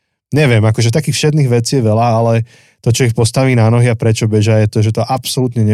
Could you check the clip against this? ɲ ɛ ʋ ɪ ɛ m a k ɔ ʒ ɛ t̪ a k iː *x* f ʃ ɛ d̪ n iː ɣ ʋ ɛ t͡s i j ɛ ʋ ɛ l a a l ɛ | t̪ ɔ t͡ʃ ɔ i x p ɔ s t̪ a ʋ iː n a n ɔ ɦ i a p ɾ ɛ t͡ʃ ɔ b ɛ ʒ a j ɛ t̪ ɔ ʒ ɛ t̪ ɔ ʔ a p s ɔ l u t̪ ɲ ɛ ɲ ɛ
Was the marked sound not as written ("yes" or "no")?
no